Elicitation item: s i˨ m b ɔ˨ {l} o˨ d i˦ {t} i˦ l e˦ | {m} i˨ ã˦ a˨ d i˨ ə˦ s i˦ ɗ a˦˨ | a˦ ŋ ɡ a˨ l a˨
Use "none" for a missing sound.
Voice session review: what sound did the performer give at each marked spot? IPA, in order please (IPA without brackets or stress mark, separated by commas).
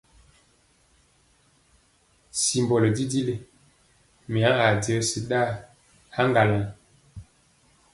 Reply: l, d, m